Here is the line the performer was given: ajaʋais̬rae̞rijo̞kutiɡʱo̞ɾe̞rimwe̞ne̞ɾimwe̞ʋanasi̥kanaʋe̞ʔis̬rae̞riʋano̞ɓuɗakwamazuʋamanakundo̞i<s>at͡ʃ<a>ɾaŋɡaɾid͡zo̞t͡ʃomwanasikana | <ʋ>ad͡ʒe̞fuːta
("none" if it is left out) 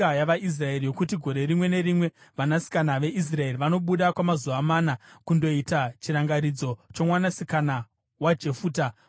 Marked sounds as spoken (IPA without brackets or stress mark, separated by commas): t, i, w